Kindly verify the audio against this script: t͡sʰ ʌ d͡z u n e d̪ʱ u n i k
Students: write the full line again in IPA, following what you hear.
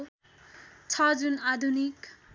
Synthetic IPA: t͡sʰ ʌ d͡z u n a d̪ʱ u n i k